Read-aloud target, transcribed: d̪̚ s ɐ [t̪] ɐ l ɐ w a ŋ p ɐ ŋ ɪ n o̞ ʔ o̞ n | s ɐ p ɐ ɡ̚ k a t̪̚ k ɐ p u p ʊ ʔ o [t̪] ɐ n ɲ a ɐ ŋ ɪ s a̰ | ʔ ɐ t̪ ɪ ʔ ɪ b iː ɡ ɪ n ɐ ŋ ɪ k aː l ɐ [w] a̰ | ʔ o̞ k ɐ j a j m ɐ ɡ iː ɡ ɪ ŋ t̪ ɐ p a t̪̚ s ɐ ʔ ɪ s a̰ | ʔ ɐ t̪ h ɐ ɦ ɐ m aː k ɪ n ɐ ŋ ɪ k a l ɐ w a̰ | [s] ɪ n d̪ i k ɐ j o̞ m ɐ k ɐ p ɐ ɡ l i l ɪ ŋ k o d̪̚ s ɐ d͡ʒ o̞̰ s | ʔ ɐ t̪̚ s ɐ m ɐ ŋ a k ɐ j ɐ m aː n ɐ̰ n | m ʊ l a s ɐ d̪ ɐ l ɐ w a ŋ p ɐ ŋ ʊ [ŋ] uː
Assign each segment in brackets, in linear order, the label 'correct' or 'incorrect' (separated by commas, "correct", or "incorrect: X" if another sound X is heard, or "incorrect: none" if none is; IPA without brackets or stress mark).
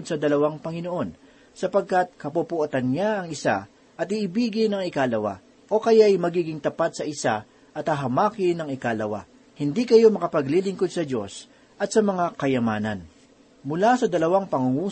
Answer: incorrect: d̪, correct, correct, incorrect: h, correct